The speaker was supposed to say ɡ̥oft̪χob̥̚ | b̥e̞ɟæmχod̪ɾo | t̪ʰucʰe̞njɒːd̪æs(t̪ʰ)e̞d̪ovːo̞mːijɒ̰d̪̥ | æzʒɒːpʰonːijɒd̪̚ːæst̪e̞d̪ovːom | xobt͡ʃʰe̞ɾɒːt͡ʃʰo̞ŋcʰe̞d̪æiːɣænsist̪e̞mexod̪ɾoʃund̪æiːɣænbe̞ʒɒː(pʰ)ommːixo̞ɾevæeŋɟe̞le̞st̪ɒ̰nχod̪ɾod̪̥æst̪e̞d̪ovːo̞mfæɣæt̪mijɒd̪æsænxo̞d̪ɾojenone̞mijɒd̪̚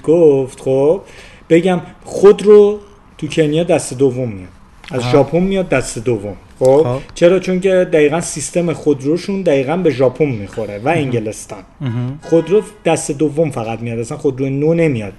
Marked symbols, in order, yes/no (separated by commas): no, yes